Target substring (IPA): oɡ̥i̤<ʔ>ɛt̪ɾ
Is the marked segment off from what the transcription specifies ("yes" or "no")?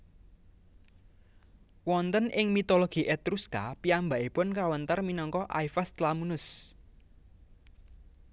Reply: no